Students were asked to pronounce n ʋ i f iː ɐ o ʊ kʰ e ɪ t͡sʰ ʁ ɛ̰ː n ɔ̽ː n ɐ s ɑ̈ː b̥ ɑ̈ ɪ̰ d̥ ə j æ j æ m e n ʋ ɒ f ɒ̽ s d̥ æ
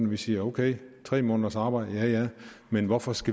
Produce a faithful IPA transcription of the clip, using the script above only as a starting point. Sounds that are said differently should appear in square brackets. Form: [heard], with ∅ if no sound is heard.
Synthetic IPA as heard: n ʋ i [s] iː ɐ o ʊ kʰ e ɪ t͡sʰ ʁ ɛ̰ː [m] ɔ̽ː n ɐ s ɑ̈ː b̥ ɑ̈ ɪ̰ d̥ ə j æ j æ m e n ʋ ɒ f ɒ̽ s [ɡ̥] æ